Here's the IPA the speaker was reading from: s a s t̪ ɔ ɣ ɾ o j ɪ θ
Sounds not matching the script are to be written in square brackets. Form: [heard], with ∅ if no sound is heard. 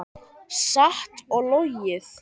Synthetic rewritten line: s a [h] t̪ ɔ ɣ [l] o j ɪ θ